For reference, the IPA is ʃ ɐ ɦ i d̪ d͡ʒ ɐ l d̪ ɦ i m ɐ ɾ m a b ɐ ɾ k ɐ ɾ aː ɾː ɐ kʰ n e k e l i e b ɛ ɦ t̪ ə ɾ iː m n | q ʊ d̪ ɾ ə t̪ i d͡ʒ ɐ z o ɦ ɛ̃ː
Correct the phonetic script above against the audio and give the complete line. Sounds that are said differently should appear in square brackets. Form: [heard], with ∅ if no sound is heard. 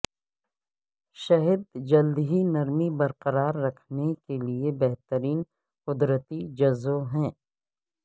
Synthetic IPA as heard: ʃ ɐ ɦ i d̪ d͡ʒ ɐ l d̪ ɦ i [n] ɐ ɾ m [i] b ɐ ɾ [q] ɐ ɾ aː ɾː ɐ kʰ n e k e l i e b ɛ ɦ t̪ ə ɾ iː [∅] n | q ʊ d̪ ɾ ə t̪ i d͡ʒ ɐ z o ɦ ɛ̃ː